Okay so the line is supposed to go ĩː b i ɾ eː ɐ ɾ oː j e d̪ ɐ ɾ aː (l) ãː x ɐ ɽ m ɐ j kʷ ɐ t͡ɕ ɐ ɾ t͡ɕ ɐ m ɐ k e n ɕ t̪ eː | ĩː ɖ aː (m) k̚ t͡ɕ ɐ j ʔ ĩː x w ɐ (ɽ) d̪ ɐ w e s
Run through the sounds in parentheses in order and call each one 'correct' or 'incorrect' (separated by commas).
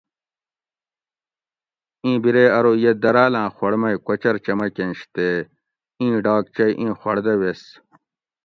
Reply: correct, incorrect, correct